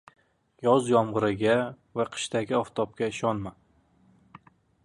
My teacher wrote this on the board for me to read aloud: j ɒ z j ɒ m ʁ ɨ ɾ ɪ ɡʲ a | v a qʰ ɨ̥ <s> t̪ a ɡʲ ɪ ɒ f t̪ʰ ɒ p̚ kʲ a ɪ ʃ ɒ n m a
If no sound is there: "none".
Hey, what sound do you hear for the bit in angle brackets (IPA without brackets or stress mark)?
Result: ʃ